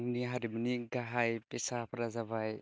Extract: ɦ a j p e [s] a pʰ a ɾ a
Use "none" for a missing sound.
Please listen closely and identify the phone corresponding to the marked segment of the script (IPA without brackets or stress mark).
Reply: s